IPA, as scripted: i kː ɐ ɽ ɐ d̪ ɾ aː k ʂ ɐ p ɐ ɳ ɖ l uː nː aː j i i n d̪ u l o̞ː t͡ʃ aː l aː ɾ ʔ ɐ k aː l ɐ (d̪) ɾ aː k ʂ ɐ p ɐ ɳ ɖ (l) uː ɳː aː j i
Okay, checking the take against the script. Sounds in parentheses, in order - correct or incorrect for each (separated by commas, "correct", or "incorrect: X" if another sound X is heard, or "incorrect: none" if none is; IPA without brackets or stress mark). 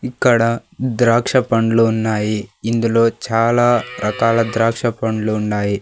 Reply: correct, correct